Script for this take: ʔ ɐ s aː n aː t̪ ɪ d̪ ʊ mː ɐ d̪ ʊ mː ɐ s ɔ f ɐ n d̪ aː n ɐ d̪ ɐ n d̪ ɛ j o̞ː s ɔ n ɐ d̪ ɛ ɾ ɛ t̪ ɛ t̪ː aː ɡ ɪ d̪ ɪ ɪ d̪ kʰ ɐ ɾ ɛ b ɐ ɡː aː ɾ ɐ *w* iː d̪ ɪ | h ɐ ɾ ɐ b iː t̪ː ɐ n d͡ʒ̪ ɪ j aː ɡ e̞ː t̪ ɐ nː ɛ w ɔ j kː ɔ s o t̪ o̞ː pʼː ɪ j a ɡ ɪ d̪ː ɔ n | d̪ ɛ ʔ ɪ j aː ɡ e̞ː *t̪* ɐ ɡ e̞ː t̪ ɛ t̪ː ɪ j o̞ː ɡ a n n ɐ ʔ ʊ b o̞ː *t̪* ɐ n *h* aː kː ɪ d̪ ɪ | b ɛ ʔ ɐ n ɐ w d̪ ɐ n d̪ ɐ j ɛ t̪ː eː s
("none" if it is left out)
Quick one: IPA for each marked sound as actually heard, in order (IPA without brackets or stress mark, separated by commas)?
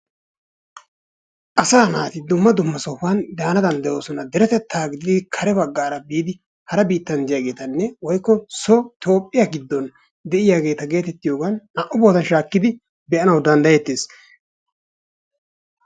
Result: b, t̪, t̪, ʃ